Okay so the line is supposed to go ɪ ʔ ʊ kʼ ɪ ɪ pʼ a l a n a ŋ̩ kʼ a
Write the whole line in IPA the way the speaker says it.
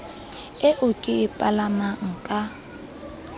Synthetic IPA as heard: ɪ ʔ ʊ kʼ ɪ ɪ pʼ a l a m a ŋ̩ kʼ a